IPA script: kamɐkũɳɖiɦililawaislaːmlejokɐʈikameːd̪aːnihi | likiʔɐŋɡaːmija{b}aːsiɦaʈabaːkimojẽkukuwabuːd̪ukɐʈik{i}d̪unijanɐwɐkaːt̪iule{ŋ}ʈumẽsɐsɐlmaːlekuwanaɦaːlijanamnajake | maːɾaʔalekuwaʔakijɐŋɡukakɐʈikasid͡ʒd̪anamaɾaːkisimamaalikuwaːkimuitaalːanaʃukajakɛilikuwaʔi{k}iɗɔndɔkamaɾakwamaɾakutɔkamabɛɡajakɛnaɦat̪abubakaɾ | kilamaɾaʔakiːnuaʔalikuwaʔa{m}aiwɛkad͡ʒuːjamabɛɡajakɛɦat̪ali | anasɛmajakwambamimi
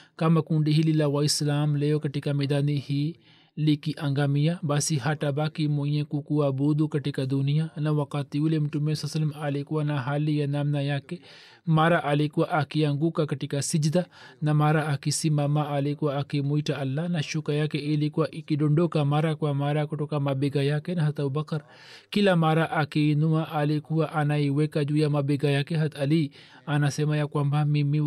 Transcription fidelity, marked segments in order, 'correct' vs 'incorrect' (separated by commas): correct, incorrect, incorrect, correct, incorrect